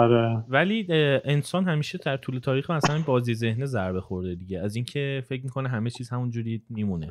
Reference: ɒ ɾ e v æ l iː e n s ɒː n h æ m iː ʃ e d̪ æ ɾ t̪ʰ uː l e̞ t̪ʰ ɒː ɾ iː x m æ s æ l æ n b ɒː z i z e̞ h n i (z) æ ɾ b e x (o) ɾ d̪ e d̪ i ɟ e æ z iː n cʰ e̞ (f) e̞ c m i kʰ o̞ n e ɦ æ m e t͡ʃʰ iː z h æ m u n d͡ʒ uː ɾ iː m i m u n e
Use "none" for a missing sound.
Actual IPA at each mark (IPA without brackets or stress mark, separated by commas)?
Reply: z, o, f